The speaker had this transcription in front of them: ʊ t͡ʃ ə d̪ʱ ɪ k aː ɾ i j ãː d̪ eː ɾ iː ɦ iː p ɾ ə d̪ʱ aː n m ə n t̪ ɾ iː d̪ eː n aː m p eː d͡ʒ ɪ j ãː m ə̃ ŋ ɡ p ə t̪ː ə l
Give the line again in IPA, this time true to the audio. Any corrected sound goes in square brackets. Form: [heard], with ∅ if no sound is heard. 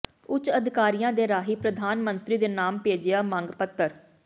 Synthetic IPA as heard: ʊ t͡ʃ ə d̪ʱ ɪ k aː ɾ i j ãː d̪ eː ɾ [aː] ɦ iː p ɾ ə d̪ʱ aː n m ə n t̪ ɾ iː d̪ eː n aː m p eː d͡ʒ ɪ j [aː] m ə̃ ŋ ɡ p ə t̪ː ə [ɾ]